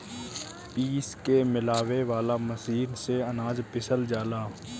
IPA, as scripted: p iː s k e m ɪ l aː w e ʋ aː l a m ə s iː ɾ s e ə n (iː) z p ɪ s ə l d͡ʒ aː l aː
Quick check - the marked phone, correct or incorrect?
incorrect